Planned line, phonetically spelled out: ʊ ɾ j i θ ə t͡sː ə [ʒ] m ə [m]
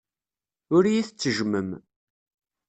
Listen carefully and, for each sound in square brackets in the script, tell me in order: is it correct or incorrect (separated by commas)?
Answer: correct, correct